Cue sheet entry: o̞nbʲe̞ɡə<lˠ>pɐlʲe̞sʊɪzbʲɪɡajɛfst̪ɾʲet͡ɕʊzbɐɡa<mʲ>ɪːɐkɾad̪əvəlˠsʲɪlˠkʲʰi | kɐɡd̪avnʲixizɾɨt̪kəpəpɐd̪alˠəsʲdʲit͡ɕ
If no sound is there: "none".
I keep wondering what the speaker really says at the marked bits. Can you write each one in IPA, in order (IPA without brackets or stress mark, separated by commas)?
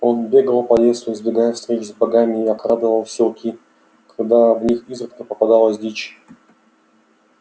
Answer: lˠ, mʲ